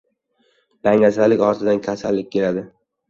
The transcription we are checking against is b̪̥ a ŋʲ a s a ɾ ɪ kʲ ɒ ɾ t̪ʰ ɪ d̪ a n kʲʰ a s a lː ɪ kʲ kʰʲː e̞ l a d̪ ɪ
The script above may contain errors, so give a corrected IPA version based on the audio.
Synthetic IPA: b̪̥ a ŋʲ a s a l ɪ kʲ ɒ ɾ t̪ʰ ɪ d̪ a n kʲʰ a s a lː ɪ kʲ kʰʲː e̞ l a d̪ ɪ

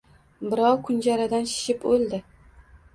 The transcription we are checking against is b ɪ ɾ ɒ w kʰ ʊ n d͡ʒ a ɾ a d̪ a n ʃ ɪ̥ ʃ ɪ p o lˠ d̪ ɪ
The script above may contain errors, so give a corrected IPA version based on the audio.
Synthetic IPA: b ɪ ɾ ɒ w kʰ ʊ n d͡ʒ a ɾ a d̪ a n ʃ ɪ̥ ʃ ɪ p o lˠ d̪ ɪ

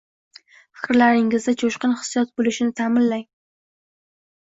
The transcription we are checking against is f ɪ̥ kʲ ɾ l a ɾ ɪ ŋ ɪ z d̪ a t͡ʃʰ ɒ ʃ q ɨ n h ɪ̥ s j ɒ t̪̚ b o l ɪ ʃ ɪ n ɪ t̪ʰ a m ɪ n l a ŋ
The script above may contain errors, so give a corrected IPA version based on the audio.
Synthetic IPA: f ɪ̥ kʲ ɾ l a ɾ ɪ ŋ ɪ z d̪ a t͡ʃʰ o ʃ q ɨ n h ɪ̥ s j ɒ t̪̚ b o l ɪ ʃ ɪ n ɪ t̪ʰ a m ɪ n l a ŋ

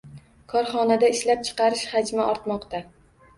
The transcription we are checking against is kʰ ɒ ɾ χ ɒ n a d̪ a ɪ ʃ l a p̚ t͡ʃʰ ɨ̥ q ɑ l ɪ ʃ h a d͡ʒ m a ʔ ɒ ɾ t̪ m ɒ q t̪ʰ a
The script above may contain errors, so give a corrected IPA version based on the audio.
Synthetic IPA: kʰ ɒ ɾ χ ɒ n a d̪ a ɪ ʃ l a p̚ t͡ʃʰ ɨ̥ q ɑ ɾ ɪ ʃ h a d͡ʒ m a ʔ ɒ ɾ t̪ m ɒ q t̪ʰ a

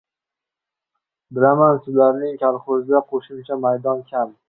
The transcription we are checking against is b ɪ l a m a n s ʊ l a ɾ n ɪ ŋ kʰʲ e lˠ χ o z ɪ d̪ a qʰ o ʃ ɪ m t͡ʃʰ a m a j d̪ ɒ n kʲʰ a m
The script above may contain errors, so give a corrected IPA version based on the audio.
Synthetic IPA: b ɪ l a m a n s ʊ l a ɾ n ɪ ŋ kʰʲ a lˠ χ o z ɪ d̪ a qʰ o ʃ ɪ m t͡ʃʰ a m a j d̪ ɒ n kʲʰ a m

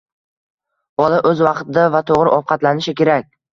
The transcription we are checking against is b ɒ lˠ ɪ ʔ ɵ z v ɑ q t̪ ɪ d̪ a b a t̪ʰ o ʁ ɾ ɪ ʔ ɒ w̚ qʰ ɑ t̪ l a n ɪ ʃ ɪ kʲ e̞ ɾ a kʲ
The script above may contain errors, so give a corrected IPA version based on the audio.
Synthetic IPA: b ɒ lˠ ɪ ʔ ɵ z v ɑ q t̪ ɪ d̪ a v a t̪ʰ o ʁ ɾ ɪ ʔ ɒ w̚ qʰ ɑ t̪ l a n ɪ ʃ ɪ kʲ e̞ ɾ a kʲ

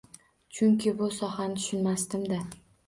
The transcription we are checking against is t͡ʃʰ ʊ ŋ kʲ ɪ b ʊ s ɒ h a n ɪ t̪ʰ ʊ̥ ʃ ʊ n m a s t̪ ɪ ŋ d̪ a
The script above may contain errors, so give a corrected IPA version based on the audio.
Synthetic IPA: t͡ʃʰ ʊ ŋ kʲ ɪ b ʊ s ɒ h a n ɪ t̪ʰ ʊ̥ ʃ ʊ n m a s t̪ ɪ m d̪ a

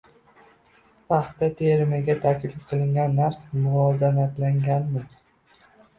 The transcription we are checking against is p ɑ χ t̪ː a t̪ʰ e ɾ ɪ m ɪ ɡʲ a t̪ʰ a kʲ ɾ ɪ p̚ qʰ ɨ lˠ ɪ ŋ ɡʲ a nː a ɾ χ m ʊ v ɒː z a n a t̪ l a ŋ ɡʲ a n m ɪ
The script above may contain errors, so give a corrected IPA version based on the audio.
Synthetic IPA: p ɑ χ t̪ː a t̪ʰ e ɾ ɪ m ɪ ɡʲ a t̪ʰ a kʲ l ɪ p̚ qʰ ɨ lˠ ɪ ŋ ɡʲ a nː a ɾ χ m ʊ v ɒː z a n a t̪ l a ŋ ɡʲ a n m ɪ

